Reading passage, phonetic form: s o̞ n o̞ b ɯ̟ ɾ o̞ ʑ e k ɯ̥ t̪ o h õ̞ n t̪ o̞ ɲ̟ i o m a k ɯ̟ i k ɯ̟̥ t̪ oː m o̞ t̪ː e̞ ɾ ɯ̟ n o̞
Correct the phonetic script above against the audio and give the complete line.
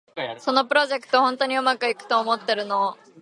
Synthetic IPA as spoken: s o̞ n o̞ p ɯ̟ ɾ o̞ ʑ e k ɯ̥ t̪ o h õ̞ n t̪ o̞ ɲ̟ i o m a k ɯ̟ i k ɯ̟̥ t̪ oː m o̞ t̪ː e̞ ɾ ɯ̟ n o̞